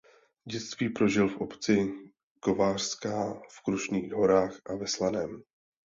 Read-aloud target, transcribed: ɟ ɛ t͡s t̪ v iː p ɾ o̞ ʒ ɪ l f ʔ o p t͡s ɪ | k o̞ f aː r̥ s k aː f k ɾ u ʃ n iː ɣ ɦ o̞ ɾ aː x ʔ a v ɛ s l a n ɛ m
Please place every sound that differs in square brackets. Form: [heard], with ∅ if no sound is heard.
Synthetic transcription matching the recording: ɟ ɛ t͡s t̪ v iː p ɾ o̞ ʒ ɪ l f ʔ o p t͡s ɪ | k o̞ [v] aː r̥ s k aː f k ɾ u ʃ n iː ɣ ɦ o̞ ɾ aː x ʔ a v ɛ s l a n ɛ m